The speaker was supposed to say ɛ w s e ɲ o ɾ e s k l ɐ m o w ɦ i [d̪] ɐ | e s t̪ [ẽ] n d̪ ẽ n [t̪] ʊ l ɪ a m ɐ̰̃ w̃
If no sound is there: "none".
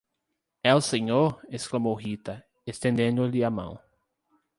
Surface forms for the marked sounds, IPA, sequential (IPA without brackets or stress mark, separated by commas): t̪, ẽ, d̪